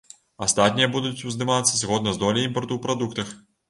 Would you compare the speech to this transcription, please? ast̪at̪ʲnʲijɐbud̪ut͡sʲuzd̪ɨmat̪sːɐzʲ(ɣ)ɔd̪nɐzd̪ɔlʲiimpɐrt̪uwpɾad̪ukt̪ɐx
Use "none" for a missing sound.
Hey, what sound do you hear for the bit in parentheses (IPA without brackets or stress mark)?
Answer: ɣ